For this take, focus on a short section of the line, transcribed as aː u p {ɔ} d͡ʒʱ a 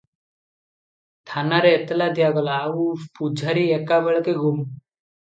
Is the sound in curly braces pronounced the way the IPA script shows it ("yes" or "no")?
no